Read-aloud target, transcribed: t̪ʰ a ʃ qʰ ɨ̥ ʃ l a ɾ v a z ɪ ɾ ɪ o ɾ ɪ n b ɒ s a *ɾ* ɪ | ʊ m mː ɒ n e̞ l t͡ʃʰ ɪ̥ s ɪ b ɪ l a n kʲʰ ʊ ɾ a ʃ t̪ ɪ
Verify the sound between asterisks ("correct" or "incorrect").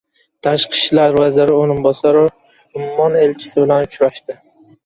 correct